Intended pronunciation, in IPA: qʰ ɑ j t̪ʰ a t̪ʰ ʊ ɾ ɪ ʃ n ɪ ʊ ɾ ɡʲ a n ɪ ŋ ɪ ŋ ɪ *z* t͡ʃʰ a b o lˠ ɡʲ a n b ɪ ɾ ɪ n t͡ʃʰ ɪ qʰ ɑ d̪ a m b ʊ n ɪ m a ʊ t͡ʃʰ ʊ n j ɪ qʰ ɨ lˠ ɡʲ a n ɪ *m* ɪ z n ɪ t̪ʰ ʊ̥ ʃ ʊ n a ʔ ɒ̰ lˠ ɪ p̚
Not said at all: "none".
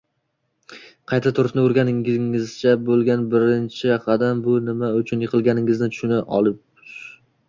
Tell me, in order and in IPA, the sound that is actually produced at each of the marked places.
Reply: z, ŋ

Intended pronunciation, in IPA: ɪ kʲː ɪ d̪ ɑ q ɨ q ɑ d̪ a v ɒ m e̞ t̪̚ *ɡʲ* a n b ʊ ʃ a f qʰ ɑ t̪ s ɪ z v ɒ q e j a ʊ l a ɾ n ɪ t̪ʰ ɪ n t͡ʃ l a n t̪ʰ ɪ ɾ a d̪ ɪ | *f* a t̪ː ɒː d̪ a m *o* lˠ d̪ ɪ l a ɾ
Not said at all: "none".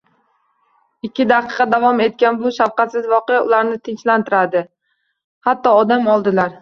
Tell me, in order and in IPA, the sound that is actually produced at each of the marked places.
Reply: kʲ, h, ɒ

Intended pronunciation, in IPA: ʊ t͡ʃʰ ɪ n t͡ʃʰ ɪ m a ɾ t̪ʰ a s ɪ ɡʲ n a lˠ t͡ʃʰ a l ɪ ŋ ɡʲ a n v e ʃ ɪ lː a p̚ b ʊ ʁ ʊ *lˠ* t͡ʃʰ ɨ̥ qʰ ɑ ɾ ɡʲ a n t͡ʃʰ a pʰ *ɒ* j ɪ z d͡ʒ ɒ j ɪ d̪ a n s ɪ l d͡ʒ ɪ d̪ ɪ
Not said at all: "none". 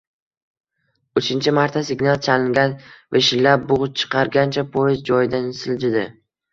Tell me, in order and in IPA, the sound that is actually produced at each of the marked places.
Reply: none, o

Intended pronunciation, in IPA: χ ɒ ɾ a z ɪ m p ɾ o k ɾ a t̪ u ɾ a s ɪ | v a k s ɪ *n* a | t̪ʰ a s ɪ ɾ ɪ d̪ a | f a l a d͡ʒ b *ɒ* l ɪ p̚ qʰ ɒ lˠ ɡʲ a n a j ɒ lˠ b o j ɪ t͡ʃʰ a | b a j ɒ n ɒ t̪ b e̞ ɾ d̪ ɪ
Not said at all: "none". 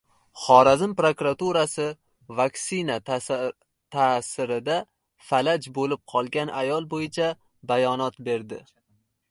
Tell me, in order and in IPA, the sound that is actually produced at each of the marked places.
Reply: n, o

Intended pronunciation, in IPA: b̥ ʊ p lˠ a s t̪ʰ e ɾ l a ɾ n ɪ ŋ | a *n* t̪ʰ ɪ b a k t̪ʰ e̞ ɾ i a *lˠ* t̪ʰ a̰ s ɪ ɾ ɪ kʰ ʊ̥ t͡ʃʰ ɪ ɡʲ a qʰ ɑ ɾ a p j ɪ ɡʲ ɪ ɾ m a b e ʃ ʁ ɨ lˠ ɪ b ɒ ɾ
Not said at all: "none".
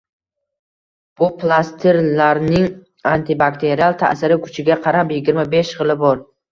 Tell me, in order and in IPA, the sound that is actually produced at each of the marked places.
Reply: n, lˠ

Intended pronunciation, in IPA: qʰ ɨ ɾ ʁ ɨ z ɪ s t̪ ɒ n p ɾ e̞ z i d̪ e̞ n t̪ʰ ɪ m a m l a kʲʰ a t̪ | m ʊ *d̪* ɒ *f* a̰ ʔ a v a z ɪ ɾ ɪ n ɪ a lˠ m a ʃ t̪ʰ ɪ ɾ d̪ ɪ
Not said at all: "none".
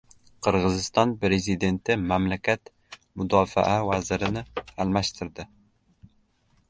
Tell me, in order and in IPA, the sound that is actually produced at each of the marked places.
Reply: d̪, f

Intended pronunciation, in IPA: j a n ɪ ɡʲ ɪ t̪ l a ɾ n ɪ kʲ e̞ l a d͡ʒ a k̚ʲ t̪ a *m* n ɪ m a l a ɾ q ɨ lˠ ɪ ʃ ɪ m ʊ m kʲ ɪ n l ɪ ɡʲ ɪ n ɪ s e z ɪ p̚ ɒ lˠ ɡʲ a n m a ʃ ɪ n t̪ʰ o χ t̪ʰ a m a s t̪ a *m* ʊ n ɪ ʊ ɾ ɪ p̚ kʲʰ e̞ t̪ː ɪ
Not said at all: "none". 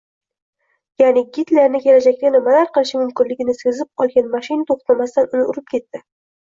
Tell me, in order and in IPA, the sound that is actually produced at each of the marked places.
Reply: none, n

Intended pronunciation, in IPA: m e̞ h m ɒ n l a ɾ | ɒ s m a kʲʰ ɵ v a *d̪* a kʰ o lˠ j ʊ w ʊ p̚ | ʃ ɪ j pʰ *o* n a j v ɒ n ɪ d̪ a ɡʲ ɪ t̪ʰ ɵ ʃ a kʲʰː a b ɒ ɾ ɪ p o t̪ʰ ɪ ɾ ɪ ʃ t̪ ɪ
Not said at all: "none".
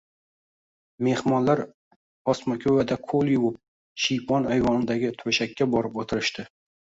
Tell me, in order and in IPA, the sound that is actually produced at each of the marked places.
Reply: d̪, ɒ

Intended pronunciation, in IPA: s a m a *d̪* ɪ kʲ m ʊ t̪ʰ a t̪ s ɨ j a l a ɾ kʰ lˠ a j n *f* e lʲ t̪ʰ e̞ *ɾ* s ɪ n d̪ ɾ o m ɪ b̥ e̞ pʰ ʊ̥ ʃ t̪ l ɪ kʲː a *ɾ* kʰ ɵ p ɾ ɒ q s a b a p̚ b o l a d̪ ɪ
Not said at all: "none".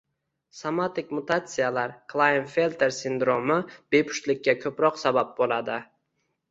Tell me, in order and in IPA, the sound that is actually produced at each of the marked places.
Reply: t̪, f, ɾ, none

